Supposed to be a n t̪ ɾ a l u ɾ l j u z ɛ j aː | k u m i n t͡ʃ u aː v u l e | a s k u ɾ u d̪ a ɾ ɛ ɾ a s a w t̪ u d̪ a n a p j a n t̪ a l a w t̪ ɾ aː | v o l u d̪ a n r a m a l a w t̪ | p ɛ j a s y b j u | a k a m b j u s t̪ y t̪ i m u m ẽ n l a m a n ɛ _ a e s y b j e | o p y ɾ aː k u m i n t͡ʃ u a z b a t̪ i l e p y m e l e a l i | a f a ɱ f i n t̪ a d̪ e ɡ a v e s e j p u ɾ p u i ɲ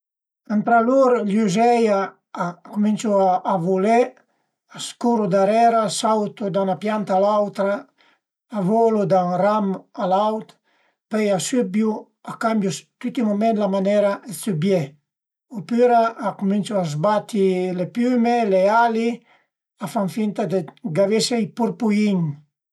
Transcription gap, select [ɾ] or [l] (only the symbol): ɾ